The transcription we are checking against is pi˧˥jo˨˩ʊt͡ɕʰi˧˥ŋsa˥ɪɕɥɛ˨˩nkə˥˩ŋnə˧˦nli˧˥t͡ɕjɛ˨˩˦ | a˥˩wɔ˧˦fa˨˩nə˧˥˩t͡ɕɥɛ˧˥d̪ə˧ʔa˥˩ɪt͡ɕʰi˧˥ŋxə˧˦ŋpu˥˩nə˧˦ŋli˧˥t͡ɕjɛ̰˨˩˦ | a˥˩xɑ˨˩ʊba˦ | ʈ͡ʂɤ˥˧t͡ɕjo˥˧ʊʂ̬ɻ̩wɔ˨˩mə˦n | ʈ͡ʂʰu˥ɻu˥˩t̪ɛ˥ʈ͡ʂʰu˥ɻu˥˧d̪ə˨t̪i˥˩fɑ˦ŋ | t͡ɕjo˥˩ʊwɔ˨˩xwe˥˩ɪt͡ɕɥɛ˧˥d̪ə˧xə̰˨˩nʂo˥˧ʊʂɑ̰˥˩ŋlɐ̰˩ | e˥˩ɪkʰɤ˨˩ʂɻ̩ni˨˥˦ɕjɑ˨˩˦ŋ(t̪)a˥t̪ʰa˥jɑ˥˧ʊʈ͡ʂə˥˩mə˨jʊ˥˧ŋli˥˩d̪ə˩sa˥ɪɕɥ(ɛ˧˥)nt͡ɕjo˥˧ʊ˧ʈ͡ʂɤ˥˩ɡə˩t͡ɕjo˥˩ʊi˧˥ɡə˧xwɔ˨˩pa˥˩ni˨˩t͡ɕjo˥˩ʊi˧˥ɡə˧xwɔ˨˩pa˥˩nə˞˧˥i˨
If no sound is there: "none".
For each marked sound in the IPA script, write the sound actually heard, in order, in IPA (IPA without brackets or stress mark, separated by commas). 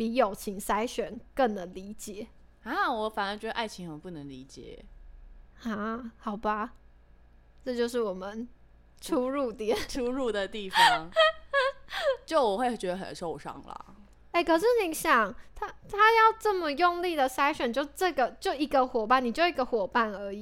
t̪ʰ, ɛ˨˩